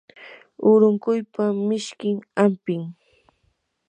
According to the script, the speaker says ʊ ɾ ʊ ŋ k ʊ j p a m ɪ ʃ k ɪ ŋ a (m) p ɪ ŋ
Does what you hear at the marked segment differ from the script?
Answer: no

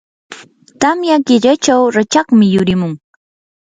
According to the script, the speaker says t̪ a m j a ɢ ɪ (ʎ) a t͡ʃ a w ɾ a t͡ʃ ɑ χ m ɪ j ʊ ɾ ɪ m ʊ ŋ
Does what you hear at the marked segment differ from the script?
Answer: no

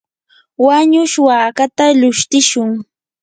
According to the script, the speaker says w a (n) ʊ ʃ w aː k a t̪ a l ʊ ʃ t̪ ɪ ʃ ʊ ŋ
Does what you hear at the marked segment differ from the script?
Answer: yes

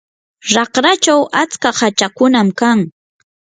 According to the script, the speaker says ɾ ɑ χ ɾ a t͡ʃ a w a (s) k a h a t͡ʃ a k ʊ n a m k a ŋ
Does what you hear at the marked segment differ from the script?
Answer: yes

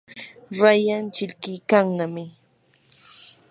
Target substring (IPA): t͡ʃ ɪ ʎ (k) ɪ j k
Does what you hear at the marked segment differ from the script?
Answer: no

